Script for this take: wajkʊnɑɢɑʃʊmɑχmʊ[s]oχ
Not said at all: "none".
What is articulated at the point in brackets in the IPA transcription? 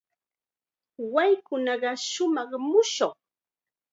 ʃ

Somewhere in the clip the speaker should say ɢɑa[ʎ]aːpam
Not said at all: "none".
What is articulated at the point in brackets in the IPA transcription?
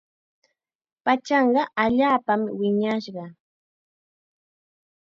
ʎ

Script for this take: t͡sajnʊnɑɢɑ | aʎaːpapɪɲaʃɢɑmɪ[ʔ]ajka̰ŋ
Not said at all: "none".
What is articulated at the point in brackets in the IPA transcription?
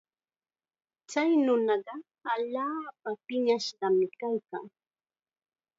k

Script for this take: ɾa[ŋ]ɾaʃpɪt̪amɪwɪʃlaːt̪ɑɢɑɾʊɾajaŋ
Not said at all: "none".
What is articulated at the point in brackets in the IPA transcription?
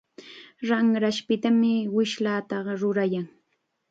ŋ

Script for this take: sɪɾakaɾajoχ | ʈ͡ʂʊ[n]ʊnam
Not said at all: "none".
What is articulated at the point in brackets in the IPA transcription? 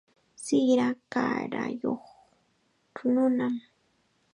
n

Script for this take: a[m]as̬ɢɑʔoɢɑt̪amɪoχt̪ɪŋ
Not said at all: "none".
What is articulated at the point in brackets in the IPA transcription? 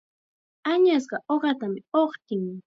ɲ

